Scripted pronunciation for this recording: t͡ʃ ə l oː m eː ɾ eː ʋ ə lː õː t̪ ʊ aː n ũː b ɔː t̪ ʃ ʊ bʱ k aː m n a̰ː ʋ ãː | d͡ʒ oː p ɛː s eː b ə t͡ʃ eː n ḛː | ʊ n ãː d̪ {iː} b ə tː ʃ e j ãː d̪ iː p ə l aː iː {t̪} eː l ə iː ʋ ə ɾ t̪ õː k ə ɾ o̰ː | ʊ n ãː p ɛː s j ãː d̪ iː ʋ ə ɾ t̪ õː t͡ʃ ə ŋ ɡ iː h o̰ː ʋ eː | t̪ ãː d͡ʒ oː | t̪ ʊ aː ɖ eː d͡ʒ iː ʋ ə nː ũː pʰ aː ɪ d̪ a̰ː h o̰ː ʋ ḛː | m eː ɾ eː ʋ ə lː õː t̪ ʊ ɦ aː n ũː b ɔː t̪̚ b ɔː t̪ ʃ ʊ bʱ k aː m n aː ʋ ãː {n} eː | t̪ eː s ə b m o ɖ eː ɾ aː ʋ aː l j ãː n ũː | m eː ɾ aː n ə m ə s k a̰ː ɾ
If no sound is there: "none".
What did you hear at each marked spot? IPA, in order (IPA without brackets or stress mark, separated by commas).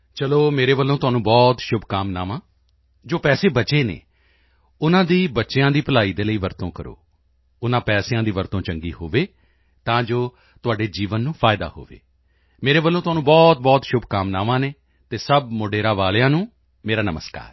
iː, d̪, n